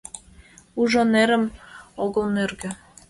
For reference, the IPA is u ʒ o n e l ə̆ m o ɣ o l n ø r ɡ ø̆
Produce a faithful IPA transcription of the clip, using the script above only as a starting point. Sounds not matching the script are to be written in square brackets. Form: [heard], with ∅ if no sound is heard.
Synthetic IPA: u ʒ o n e [ɾ] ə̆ m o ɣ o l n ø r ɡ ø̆